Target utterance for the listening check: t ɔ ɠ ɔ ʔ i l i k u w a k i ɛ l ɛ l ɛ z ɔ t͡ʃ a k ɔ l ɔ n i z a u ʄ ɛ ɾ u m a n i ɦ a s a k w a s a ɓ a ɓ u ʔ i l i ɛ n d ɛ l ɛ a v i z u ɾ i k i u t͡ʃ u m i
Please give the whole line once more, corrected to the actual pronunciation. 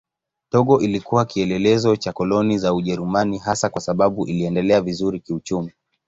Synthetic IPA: t ɔ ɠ ɔ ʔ i l i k u w a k i ɛ l ɛ l ɛ z ɔ t͡ʃ a k ɔ l ɔ n i z a u ʄ ɛ ɾ u m a n i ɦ a s a k w a s a ɓ a ɓ u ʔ i l i ɛ n d ɛ l ɛ a v i z u ɾ i k i u t͡ʃ u m i